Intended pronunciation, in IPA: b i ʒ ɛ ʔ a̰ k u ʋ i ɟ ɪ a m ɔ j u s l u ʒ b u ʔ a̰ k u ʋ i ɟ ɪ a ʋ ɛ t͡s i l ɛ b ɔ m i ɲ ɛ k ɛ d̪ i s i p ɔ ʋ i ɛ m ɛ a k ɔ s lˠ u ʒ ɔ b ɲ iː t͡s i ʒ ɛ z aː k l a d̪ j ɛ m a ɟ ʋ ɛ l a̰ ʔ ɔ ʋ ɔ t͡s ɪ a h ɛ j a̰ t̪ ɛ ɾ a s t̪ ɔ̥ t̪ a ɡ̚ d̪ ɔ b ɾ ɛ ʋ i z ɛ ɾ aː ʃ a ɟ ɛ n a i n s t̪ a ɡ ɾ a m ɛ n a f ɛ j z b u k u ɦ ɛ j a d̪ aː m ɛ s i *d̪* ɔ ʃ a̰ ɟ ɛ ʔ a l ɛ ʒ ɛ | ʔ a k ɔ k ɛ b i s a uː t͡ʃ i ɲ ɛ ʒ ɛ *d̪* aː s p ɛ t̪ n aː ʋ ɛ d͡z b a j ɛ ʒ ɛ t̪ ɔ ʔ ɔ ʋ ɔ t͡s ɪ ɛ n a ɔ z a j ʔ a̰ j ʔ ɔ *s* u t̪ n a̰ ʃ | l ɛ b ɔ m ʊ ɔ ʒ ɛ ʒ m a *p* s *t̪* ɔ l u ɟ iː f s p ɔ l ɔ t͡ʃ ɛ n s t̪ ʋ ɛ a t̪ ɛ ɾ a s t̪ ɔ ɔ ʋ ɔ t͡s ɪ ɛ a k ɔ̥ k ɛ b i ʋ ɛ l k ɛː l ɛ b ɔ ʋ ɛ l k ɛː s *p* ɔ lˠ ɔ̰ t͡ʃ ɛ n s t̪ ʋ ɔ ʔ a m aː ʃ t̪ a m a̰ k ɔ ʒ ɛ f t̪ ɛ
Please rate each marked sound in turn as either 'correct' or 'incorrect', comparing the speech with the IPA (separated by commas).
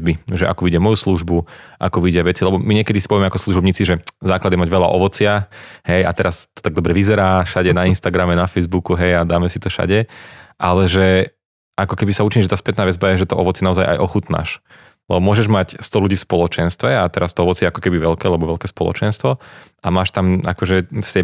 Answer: incorrect, incorrect, incorrect, incorrect, correct, correct